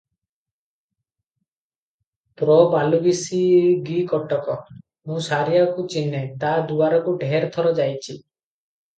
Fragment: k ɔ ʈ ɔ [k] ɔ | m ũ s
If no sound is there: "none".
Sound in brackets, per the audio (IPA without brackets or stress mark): k